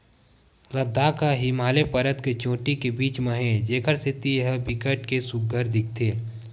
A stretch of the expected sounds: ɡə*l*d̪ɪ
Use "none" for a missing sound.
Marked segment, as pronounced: ɾ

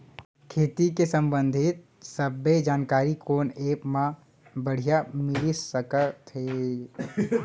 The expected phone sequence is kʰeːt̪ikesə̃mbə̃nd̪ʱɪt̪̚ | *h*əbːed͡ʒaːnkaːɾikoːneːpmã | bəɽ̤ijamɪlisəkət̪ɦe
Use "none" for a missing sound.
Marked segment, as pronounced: s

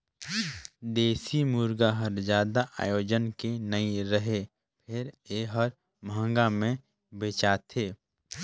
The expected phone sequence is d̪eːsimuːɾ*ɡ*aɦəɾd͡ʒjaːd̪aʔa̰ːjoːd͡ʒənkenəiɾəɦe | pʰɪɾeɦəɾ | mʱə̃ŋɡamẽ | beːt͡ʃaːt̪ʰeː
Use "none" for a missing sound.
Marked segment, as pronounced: ɡ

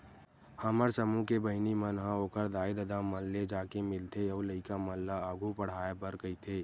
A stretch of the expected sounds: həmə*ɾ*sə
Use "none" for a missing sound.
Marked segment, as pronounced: ɾ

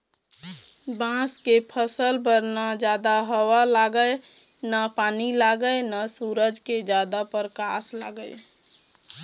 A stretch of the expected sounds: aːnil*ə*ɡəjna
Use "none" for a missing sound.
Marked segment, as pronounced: a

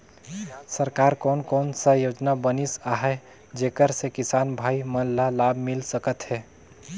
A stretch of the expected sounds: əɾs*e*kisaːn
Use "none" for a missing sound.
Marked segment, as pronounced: e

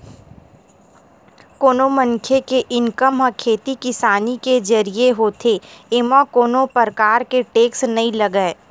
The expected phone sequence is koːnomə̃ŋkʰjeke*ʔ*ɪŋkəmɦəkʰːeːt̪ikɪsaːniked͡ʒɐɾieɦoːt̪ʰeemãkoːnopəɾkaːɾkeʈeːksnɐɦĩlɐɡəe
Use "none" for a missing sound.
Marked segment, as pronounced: ʔ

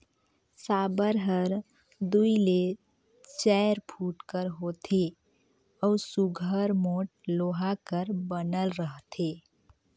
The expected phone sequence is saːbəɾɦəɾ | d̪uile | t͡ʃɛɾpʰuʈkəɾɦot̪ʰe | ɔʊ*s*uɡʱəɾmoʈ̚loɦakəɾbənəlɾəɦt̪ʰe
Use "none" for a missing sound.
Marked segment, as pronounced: s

